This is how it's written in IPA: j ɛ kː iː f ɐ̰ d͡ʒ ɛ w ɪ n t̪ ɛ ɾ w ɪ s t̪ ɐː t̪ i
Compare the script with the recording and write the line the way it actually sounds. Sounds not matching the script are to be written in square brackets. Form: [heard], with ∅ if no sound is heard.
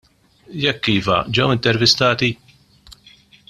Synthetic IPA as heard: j ɛ kː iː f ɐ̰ d͡ʒ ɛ w ɪ n t̪ ɛ ɾ [v] ɪ s t̪ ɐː t̪ i